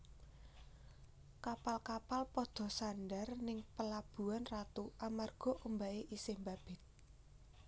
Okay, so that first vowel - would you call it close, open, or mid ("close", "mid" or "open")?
open